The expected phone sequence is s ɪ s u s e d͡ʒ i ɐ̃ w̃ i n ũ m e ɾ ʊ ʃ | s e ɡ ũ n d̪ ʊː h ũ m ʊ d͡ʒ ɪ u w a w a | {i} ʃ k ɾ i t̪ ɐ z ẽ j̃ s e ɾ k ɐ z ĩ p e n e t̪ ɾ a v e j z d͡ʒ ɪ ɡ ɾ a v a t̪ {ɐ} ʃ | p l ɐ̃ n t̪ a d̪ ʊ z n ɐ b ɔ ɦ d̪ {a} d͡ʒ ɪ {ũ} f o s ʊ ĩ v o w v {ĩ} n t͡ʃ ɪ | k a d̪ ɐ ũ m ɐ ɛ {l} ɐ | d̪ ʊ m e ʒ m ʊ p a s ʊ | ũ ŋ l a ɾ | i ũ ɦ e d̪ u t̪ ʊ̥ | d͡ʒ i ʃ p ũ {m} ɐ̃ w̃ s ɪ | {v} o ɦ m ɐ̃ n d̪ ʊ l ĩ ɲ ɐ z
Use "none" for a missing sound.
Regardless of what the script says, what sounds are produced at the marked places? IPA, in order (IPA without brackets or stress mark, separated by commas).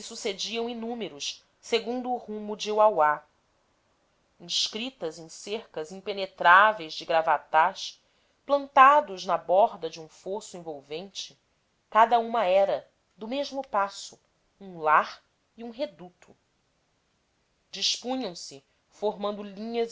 ĩ, a, ɐ, ũ, ẽ, ɾ, ɲ, f